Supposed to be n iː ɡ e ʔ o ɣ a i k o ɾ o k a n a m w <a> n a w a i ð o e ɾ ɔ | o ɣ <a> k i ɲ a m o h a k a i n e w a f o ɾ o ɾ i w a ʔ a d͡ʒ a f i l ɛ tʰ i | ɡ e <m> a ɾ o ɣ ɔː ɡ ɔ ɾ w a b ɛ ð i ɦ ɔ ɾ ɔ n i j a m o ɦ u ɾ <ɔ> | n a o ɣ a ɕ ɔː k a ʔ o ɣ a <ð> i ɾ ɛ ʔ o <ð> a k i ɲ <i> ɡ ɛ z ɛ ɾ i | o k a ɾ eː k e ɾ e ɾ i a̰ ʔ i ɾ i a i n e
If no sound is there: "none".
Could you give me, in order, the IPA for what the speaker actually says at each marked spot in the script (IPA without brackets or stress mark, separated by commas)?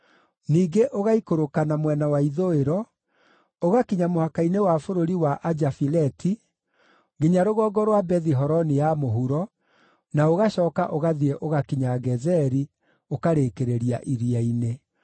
ɛ, a, ɲ, ɔ, ð, ɣ, a